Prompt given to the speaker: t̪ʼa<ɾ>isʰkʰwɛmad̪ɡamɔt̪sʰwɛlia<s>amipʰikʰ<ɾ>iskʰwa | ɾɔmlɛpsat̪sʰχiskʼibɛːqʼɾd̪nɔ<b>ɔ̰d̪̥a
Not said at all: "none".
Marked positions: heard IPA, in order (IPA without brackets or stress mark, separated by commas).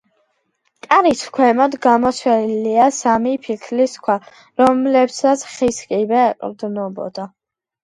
ɾ, s, l, b